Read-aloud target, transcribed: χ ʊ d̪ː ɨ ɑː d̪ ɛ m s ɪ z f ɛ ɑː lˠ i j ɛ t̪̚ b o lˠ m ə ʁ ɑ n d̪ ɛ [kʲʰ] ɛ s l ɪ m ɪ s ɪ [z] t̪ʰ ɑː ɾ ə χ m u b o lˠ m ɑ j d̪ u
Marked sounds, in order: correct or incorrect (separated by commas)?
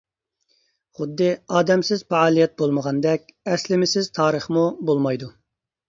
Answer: incorrect, correct